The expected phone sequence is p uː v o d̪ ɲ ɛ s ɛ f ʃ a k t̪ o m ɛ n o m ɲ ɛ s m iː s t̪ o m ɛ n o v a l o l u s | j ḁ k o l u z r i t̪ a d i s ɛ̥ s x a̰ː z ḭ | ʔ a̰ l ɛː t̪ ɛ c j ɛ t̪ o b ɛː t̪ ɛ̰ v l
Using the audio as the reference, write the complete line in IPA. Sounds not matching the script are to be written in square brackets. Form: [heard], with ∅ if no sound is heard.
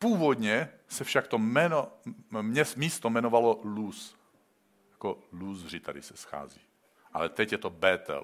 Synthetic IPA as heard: p uː v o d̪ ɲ ɛ s ɛ f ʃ a k t̪ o m ɛ n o m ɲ ɛ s m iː s t̪ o m ɛ n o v a l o l u s | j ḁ k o l u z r i t̪ a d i s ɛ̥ s x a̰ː z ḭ | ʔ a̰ l [ɛ] t̪ ɛ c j ɛ t̪ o b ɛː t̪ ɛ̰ [∅] l